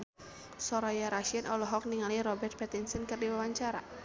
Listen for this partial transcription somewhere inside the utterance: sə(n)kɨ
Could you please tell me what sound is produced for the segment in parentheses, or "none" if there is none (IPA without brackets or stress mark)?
n